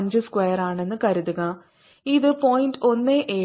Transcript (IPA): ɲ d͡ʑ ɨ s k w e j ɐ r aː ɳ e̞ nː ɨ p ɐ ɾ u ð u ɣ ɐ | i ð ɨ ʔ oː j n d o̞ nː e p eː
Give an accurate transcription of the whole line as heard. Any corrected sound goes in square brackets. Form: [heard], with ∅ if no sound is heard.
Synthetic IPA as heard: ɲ d͡ʑ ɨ s k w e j ɐ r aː ɳ e̞ nː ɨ [k] ɐ ɾ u ð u ɣ ɐ | i ð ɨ [p] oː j n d o̞ nː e [ʔ] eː